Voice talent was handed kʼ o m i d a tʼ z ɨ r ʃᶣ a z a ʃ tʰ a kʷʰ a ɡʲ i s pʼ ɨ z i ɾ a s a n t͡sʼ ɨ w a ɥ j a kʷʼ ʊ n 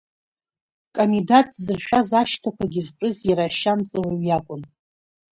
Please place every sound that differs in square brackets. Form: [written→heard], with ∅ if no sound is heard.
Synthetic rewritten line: kʼ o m i d a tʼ z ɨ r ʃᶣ a z a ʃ tʰ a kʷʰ a ɡʲ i [s→z] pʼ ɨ z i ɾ a [s→ʃ] a n t͡sʼ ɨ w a ɥ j a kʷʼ ʊ n